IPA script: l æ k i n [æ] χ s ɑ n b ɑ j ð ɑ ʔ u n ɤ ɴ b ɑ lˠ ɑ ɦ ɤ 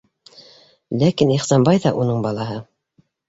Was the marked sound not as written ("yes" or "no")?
yes